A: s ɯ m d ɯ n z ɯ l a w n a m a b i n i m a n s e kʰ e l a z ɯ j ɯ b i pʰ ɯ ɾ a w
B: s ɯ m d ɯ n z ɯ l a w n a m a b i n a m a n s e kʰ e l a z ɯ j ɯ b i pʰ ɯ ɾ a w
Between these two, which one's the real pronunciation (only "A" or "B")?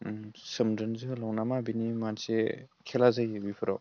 A